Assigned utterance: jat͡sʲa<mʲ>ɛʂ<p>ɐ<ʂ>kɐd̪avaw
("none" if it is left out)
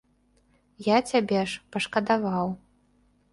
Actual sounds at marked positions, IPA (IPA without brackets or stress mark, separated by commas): bʲ, p, ʂ